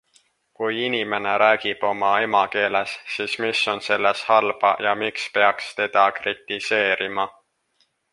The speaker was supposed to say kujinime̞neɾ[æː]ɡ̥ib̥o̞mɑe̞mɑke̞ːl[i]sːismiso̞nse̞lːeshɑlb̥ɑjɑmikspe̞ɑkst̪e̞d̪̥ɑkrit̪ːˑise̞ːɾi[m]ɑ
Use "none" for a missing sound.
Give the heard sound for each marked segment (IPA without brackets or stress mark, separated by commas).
æː, e, m